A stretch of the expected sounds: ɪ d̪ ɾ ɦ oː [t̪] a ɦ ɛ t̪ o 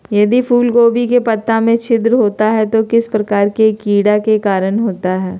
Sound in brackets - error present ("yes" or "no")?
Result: no